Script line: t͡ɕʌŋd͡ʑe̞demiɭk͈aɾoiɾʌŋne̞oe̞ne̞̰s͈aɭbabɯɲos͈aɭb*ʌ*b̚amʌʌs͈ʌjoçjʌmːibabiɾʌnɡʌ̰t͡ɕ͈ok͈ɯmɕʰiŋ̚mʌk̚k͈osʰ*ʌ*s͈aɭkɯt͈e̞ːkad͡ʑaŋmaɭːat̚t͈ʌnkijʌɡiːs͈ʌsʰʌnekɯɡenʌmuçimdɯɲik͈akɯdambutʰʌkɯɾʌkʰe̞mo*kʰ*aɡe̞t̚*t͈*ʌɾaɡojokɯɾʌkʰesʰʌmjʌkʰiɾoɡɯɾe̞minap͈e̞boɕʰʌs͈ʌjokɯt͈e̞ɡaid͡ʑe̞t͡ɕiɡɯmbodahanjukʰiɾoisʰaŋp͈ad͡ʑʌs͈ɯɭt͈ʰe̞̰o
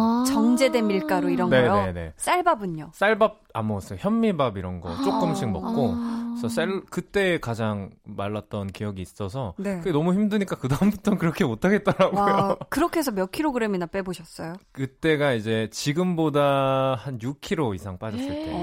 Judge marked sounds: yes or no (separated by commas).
no, yes, no, yes